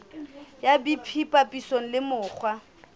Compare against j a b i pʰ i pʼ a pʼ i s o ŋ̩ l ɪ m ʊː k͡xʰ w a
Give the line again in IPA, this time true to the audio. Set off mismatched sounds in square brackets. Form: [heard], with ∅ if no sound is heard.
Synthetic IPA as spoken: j a b i pʰ i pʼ a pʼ i s o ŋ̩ l ɪ m ʊː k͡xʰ w a